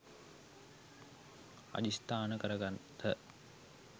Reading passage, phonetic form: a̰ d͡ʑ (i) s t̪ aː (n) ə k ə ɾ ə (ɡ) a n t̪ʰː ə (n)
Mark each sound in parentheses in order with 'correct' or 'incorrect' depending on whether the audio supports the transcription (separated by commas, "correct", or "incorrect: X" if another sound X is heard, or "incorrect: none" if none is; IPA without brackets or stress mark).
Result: correct, correct, correct, incorrect: none